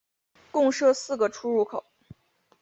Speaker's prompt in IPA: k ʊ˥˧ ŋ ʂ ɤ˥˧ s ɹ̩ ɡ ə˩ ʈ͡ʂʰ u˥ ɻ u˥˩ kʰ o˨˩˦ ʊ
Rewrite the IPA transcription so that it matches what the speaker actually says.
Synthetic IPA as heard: k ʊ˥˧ ŋ ʂ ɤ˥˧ s ɹ̩ ɡ ə˩ ʈ͡ʂʰ u˥ ɻ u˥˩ kʰ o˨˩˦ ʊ